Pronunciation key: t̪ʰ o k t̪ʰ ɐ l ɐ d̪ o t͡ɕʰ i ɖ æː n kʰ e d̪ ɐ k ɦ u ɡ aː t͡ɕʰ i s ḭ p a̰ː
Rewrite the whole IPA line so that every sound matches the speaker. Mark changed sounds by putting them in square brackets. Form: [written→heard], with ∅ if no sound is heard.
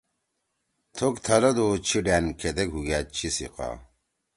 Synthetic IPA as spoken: t̪ʰ o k t̪ʰ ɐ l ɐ d̪ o t͡ɕʰ i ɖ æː n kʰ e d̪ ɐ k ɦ u ɡ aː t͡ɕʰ i s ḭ [p→q] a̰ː